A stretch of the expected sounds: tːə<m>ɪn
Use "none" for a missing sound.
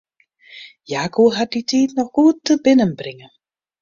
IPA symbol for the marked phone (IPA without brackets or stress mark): b